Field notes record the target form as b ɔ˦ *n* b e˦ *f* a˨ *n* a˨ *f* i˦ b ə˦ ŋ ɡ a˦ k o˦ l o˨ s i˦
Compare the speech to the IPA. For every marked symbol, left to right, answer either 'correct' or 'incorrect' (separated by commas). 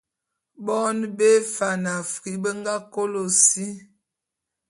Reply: correct, correct, correct, correct